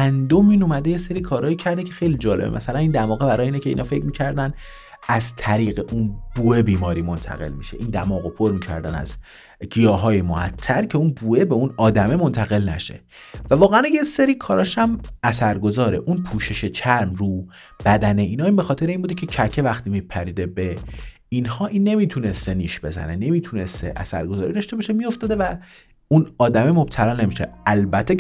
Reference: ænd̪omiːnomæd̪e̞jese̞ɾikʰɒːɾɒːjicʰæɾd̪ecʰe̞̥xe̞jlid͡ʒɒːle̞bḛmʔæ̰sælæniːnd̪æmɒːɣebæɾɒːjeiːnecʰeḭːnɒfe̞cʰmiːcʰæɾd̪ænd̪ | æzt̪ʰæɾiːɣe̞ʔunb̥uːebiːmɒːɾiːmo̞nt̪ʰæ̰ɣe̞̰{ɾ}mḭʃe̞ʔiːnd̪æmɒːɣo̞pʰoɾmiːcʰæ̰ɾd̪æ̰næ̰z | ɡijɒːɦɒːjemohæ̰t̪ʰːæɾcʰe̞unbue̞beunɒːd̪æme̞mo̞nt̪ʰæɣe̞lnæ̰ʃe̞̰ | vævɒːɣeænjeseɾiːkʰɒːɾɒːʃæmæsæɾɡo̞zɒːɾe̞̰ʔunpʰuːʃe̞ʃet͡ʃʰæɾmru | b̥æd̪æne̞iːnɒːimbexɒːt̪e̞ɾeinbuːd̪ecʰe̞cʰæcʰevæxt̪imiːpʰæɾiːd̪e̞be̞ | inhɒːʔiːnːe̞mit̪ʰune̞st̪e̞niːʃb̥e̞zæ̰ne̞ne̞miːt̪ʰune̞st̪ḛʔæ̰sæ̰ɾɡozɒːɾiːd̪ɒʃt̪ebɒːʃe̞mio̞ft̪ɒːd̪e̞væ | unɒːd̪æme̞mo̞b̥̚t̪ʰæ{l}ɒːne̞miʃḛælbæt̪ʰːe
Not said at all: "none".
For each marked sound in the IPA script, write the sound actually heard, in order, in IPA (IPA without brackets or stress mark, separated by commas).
l, l